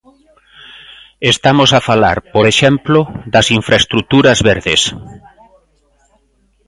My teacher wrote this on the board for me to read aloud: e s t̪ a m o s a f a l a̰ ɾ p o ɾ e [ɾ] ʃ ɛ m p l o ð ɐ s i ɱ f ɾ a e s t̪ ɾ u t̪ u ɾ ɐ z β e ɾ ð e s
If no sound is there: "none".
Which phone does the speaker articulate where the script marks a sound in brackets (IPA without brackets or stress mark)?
none